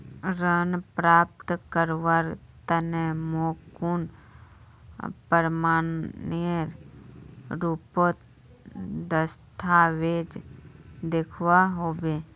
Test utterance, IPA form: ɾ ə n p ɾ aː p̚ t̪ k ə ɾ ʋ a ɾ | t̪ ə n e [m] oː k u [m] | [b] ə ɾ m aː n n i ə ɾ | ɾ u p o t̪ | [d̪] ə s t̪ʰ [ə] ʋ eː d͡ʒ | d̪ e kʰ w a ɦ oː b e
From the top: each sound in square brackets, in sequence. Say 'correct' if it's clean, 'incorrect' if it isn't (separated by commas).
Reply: correct, incorrect, incorrect, correct, incorrect